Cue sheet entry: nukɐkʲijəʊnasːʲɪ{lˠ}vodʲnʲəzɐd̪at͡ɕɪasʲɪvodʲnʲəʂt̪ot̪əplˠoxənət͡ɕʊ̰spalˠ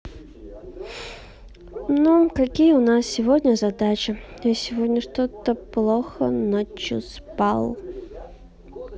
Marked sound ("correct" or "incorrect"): incorrect